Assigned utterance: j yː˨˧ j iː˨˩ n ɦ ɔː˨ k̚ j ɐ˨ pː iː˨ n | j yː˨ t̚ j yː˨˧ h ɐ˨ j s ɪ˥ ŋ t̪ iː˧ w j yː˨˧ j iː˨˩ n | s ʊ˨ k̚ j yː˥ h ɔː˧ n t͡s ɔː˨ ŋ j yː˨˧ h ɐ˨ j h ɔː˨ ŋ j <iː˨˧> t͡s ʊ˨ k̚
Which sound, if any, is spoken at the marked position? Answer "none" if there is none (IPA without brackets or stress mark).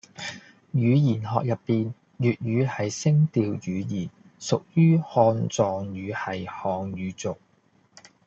yː˨˧